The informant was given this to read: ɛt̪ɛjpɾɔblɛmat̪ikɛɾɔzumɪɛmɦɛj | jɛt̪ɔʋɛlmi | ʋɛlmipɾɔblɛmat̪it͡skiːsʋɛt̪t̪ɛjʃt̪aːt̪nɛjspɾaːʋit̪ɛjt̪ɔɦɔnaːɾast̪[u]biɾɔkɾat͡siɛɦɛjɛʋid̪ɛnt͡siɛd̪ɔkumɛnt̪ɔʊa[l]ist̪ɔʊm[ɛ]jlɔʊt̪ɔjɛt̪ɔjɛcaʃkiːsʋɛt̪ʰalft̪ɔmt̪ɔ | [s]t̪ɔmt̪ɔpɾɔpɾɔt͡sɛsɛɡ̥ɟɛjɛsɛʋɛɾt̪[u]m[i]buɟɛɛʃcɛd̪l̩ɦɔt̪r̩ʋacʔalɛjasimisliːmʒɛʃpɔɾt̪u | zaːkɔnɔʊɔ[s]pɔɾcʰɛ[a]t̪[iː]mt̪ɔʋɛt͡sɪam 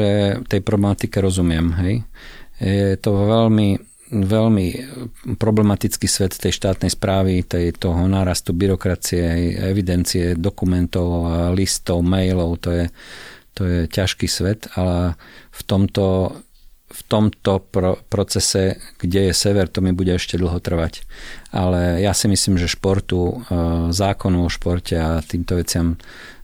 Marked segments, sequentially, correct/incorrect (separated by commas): correct, correct, correct, incorrect, incorrect, correct, incorrect, correct, correct